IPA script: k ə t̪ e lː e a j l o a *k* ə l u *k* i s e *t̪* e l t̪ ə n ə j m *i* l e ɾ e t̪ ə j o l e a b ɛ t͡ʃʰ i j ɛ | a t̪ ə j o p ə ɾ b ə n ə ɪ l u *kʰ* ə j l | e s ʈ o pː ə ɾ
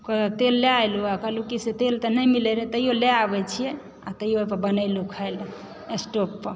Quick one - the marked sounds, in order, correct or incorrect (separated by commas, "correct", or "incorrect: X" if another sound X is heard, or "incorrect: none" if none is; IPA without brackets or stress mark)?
correct, correct, correct, correct, correct